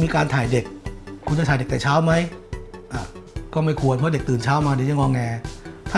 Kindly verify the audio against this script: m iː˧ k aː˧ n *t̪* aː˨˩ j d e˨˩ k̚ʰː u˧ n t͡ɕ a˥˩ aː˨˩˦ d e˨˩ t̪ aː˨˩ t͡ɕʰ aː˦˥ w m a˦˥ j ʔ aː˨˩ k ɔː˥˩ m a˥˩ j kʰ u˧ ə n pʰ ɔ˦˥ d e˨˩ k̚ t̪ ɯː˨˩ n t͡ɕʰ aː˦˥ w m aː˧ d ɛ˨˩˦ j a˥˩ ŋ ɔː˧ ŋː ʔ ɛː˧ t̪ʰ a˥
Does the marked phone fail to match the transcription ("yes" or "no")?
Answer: yes